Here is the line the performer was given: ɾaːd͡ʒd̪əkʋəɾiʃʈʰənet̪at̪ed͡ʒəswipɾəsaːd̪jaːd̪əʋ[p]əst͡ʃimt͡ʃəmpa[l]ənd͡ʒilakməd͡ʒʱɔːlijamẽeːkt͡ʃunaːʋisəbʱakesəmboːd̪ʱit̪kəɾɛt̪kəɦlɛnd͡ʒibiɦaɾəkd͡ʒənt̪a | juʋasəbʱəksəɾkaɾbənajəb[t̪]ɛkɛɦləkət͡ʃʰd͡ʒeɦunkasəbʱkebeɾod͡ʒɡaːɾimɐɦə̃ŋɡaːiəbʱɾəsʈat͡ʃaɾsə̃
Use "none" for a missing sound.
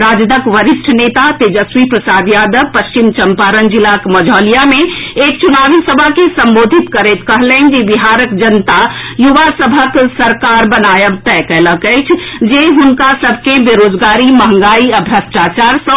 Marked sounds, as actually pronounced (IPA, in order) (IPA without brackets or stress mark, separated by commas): p, ɾ, t̪